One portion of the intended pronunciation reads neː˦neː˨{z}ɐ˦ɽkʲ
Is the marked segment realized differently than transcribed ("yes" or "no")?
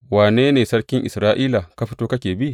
yes